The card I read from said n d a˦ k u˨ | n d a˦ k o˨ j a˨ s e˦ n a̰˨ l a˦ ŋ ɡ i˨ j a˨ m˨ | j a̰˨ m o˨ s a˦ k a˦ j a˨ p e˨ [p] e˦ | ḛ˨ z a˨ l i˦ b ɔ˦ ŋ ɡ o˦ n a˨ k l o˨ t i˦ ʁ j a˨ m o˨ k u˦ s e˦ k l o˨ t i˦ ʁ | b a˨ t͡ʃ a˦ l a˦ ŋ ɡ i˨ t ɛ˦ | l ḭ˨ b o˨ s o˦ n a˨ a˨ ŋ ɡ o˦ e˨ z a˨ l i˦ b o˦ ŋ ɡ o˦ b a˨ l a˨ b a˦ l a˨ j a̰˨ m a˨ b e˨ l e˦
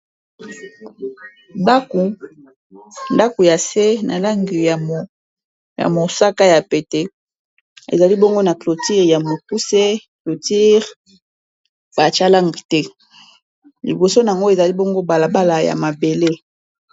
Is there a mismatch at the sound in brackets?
yes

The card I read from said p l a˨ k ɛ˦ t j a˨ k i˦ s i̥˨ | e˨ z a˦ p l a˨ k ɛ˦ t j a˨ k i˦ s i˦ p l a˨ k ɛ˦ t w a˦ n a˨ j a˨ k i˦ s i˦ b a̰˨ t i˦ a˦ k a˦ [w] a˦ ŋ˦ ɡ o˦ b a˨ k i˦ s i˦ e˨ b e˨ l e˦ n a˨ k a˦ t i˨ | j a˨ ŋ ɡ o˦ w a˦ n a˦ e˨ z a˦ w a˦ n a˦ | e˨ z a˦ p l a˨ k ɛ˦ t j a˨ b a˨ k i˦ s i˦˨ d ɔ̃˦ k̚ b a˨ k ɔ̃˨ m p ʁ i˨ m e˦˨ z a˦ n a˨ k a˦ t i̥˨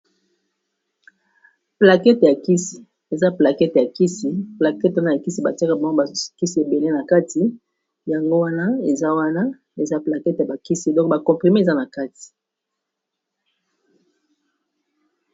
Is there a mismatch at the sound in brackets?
yes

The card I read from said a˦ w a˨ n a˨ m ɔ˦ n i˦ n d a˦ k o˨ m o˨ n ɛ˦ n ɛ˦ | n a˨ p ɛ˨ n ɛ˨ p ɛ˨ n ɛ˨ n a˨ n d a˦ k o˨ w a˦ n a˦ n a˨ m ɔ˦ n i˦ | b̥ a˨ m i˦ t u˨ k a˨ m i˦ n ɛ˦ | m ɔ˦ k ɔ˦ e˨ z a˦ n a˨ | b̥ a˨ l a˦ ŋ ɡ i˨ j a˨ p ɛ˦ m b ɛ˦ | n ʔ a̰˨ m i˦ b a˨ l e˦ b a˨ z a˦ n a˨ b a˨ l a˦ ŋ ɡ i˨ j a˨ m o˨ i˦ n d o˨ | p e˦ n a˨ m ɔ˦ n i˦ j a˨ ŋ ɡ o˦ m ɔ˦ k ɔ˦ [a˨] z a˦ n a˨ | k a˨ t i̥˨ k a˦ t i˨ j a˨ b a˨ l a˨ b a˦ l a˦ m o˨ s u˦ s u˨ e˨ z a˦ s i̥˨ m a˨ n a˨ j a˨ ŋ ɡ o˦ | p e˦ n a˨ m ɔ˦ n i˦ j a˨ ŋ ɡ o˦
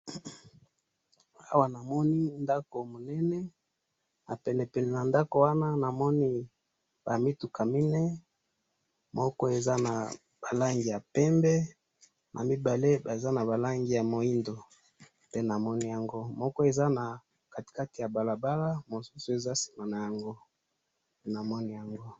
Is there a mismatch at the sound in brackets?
yes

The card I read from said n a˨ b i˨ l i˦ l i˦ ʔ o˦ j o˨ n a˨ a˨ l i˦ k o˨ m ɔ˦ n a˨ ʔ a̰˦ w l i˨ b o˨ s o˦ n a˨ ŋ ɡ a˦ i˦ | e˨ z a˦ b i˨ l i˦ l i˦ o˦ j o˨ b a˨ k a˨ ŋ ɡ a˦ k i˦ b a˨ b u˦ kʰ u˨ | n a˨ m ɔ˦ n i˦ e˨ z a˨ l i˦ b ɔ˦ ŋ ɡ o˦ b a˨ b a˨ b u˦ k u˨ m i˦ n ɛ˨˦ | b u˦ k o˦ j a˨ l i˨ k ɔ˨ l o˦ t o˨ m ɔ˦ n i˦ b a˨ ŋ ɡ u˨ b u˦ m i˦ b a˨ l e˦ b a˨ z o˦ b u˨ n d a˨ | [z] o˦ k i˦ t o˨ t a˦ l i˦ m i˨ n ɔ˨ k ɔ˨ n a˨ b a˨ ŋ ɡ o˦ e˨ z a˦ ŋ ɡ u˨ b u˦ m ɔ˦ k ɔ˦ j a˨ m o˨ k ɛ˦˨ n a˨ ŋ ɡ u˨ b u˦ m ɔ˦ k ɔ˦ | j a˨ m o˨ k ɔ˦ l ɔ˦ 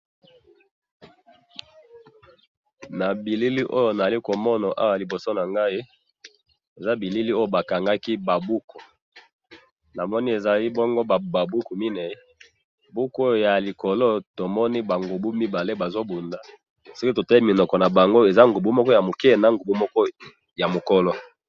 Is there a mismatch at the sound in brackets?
yes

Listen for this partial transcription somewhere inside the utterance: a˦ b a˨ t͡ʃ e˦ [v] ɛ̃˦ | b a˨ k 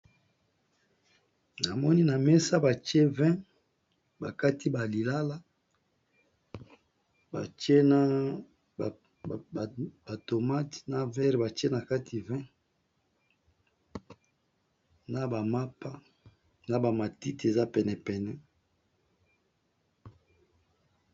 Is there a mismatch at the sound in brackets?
no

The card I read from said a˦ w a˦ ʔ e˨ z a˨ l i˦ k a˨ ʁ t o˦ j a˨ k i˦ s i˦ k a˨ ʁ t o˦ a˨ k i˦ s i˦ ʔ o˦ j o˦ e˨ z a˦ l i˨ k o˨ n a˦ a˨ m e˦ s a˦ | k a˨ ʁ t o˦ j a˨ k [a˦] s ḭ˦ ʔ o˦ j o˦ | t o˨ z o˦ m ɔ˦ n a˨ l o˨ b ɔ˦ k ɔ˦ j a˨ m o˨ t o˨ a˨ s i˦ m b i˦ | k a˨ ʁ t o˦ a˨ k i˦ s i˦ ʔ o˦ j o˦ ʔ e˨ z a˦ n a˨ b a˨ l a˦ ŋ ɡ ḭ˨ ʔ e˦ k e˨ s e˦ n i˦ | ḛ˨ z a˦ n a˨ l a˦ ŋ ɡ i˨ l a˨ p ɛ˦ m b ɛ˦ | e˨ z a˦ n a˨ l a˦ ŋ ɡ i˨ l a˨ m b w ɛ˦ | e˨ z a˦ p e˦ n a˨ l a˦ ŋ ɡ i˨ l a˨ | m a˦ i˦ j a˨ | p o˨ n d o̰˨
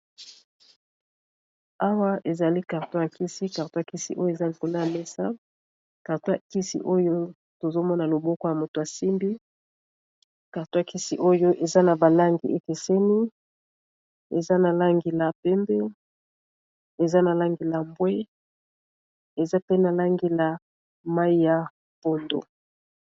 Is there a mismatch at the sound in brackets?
yes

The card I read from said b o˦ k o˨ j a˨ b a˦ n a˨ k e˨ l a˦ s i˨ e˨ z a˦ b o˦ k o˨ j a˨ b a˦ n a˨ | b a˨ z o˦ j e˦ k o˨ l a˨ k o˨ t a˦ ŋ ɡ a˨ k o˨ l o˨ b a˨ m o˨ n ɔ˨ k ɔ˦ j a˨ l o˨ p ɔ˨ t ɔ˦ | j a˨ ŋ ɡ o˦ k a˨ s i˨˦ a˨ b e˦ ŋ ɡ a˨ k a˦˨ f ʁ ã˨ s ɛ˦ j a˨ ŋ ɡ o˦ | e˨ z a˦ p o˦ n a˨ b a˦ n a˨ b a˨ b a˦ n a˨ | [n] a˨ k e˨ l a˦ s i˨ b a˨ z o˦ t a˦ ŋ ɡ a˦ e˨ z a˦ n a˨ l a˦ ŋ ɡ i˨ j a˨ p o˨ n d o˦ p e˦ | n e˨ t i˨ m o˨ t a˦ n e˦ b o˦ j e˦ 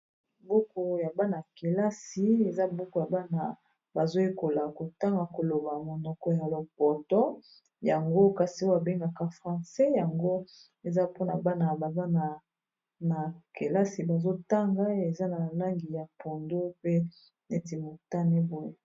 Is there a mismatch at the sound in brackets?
no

